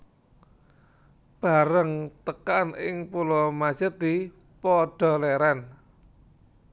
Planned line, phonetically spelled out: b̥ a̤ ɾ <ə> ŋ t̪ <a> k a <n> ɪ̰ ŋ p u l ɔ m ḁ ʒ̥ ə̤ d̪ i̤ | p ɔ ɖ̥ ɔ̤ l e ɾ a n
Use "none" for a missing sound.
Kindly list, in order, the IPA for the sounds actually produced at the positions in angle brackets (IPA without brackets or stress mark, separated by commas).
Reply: ə, ə, n